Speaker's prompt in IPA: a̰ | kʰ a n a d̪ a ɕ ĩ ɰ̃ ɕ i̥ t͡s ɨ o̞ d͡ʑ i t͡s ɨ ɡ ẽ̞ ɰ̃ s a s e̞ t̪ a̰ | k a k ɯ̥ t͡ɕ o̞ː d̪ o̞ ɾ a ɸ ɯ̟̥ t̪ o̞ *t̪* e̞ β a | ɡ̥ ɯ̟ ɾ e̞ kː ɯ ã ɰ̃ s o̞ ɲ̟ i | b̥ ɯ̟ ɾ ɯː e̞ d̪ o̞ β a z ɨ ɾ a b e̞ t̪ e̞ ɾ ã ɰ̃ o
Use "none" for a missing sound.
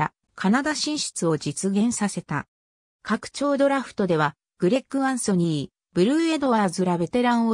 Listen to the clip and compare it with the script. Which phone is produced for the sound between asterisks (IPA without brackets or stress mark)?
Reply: d̪